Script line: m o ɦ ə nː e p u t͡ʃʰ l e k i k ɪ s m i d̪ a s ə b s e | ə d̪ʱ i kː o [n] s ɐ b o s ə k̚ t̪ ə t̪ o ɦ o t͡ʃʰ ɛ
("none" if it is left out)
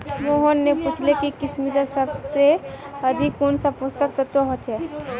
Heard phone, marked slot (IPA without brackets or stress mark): n